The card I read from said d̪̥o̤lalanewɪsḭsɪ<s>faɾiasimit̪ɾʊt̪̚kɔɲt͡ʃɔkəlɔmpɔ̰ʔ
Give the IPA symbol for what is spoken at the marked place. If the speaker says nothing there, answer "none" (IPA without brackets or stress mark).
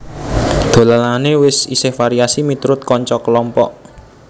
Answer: h